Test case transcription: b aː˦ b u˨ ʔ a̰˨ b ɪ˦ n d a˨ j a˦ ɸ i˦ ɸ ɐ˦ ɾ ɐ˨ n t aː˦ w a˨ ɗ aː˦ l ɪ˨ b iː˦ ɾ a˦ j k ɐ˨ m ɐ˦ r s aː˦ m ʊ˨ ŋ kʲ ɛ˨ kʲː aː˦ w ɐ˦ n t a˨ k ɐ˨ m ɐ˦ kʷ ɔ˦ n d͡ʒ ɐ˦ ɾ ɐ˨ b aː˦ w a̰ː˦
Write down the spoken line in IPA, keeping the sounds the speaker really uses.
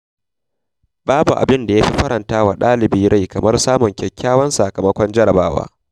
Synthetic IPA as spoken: b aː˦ b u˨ ʔ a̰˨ b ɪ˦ n d a˨ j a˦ ɸ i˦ ɸ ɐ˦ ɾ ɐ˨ n t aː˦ w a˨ ɗ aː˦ l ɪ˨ b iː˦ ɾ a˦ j k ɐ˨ m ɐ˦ r s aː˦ m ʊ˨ ŋ kʲ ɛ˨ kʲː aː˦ w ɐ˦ n s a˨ k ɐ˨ m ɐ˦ kʷ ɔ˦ n d͡ʒ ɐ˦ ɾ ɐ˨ b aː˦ w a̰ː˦